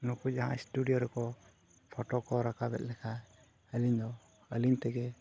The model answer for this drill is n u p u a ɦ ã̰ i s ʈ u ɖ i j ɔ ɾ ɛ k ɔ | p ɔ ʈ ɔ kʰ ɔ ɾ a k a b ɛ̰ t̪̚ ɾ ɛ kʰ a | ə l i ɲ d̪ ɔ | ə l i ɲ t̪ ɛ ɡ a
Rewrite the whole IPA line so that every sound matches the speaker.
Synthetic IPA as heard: n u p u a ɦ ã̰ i s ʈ u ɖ i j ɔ ɾ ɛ k ɔ | pʰ ɔ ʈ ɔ k ɔ ɾ a k a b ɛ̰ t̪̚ l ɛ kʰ a | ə l i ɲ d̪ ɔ | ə l i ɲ t̪ ɛ ɡ ɛ